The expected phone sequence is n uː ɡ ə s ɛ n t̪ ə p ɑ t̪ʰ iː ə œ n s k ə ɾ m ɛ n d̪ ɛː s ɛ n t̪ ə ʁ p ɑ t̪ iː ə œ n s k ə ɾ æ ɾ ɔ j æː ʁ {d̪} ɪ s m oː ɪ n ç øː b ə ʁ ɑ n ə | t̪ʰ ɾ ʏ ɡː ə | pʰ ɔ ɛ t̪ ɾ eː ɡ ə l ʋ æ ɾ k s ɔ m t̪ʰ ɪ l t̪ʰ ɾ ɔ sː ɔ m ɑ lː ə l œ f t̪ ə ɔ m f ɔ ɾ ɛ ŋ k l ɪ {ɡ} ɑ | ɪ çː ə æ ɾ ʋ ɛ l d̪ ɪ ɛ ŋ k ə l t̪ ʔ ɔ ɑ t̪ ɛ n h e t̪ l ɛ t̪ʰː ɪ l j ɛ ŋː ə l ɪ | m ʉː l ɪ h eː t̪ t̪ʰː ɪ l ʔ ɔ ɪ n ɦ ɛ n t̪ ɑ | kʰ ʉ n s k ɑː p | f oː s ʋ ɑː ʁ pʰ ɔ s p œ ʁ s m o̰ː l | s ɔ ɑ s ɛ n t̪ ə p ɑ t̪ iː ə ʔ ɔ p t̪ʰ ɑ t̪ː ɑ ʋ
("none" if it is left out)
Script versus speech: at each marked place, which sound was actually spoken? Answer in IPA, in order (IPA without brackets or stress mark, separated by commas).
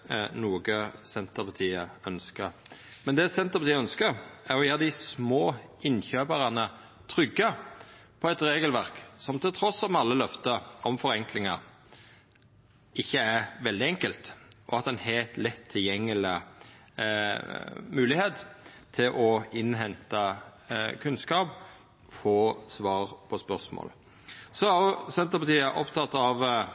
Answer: d̪, ŋ